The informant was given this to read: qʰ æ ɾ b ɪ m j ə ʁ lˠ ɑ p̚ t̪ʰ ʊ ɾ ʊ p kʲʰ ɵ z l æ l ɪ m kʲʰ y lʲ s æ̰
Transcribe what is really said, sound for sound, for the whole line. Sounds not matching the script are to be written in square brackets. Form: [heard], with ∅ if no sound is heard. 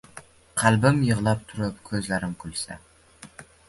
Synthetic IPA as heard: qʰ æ [l] b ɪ m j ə ʁ lˠ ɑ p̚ t̪ʰ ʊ ɾ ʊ p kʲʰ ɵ z l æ [ɾ] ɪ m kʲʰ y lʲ s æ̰